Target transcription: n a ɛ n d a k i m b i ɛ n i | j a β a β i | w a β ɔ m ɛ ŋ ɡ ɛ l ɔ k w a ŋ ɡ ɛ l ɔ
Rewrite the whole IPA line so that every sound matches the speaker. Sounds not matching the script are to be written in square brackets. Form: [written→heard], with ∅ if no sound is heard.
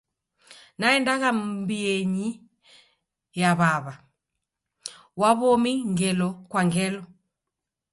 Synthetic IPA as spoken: n a ɛ n d a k [i→a] m b i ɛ [n→ɲ] i | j a β a β [i→a] | w a β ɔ m [ɛ→i] ŋ ɡ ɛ l ɔ k w a ŋ ɡ ɛ l ɔ